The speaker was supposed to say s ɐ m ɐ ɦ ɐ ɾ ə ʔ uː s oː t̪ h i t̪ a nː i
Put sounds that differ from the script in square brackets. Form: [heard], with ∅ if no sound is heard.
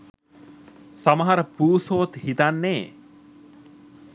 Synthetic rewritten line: s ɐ m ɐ ɦ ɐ ɾ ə [p] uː s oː t̪ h i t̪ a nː [e]